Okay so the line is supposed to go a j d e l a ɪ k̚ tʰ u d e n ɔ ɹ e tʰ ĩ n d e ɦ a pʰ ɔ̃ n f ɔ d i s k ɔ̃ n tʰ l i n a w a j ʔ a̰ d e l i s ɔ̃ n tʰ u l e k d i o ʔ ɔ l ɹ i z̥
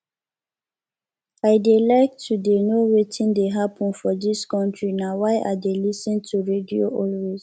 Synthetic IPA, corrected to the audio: a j d e l a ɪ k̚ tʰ u d e n o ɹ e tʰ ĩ n d e ɦ a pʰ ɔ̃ n f ɔ d i s k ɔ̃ n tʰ ɹ i n a w a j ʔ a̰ d e l i s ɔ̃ n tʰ u ɹ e d i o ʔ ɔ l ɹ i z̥